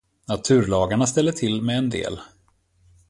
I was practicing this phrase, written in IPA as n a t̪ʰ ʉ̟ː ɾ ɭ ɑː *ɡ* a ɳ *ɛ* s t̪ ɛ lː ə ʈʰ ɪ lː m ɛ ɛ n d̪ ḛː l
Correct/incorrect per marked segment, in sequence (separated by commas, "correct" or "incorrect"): correct, incorrect